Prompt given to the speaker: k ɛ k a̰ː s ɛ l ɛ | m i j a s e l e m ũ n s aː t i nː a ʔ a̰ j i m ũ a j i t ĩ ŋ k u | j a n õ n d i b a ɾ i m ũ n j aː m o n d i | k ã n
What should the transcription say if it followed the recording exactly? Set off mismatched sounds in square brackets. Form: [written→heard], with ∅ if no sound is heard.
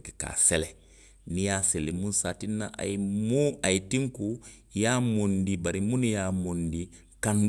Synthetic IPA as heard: k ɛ k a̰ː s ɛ l ɛ | [m→n] i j a s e l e m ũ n s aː t i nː a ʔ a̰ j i m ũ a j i t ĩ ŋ k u | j a [n→m] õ n d i b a ɾ i m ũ n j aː m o n d i | k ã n